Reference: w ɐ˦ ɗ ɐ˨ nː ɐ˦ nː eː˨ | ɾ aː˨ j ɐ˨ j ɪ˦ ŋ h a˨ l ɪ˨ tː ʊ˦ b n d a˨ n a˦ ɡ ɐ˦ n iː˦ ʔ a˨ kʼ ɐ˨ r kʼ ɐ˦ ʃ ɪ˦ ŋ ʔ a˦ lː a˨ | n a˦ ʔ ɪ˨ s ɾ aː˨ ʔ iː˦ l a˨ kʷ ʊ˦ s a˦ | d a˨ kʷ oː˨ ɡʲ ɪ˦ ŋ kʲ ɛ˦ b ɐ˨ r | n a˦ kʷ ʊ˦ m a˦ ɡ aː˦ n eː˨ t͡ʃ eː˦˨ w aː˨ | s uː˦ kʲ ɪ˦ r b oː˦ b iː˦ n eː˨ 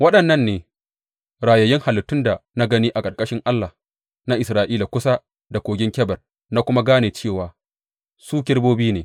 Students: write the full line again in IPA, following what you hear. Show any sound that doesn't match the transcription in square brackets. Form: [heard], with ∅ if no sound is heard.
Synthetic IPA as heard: w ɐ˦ ɗ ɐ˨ nː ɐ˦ nː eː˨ | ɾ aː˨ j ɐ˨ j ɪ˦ ŋ h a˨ l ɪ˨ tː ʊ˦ [∅] n d a˨ n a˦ ɡ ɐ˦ n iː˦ ʔ a˨ kʼ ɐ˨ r kʼ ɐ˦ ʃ ɪ˦ ŋ ʔ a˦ lː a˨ | n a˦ ʔ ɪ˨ s ɾ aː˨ ʔ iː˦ l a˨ kʷ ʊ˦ s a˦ | d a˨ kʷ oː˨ ɡʲ ɪ˦ ŋ kʲ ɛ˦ b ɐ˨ r | n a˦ kʷ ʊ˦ m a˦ ɡ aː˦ n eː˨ t͡ʃ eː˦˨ w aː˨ | s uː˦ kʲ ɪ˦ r b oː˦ b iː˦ n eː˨